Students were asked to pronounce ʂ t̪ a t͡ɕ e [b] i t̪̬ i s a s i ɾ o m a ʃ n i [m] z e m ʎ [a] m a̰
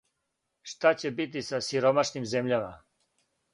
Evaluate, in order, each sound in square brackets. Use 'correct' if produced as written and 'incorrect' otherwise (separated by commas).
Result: correct, correct, correct